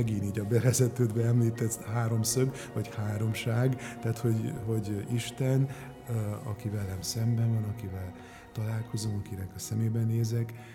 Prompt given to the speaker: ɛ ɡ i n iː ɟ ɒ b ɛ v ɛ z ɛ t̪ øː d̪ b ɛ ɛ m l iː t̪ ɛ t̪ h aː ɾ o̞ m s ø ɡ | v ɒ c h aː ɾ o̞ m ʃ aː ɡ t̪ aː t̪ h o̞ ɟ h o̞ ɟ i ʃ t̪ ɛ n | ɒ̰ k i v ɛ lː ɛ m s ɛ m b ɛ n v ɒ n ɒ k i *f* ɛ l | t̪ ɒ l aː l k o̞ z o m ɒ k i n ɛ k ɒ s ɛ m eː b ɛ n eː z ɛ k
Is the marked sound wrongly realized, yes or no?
yes